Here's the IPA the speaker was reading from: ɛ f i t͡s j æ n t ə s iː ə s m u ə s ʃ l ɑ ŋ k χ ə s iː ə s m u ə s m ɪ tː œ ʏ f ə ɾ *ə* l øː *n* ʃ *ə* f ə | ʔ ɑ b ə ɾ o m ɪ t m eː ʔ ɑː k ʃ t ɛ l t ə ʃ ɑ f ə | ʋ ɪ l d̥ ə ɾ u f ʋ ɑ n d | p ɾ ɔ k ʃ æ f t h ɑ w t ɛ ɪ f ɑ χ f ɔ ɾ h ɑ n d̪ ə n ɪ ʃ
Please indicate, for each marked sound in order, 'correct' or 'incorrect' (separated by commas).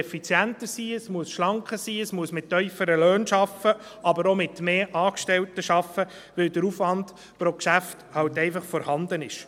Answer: correct, correct, incorrect